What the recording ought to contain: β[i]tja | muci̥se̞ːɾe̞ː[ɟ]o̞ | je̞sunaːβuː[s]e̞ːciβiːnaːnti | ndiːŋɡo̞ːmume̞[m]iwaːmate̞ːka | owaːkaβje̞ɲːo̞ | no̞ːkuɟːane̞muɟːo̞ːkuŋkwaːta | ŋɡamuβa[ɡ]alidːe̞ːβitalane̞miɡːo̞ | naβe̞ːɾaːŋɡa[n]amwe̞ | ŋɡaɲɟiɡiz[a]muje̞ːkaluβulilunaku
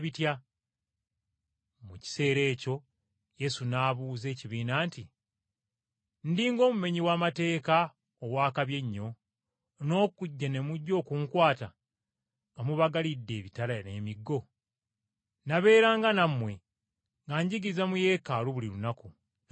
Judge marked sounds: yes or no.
yes, no, no, no, yes, yes, yes

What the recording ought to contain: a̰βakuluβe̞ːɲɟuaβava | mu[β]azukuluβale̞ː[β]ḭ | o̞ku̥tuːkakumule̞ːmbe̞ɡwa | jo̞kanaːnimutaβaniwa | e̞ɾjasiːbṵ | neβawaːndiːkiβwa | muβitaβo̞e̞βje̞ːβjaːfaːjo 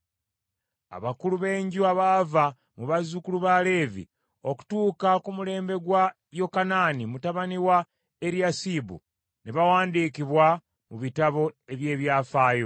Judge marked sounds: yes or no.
yes, no

